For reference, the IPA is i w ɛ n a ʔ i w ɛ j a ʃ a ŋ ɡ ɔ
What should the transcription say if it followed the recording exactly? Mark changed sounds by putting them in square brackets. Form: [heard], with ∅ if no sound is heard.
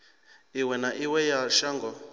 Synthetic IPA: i w ɛ n a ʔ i w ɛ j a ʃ a ŋ ɡ ɔ